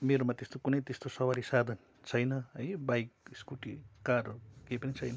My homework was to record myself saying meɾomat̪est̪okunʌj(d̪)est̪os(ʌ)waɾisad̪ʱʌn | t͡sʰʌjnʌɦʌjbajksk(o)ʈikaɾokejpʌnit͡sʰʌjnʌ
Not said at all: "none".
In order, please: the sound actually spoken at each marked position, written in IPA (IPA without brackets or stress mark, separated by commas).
t̪, ʌ, u